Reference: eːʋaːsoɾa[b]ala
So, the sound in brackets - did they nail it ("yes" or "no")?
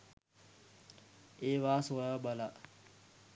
yes